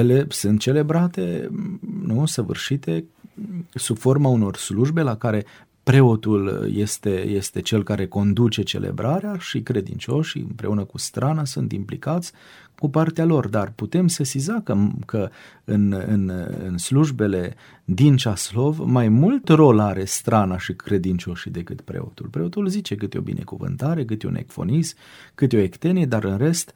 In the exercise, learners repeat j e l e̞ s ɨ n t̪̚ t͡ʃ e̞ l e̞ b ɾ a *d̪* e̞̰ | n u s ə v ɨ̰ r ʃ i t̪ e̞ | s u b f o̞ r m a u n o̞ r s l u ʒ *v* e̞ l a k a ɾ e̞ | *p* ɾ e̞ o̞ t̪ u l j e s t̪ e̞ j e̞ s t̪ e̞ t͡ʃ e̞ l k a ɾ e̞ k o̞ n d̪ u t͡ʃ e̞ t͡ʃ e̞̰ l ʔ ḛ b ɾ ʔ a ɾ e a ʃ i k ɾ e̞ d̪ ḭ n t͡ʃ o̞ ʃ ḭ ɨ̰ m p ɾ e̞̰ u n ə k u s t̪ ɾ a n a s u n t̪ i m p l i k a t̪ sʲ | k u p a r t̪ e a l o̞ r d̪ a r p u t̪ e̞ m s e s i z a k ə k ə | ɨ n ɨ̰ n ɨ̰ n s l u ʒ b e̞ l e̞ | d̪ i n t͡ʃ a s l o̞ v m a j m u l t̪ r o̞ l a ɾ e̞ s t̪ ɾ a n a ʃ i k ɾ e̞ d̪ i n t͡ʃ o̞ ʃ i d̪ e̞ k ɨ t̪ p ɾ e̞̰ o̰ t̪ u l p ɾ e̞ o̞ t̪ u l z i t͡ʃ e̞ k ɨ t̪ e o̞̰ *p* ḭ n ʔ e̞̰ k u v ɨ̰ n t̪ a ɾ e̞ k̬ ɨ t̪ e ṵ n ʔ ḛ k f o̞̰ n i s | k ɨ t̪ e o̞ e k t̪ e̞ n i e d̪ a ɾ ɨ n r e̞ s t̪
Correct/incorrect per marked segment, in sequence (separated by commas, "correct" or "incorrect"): incorrect, incorrect, correct, incorrect